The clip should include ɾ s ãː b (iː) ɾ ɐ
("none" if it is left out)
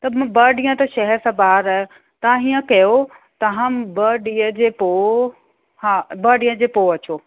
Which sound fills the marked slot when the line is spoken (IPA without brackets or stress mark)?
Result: aː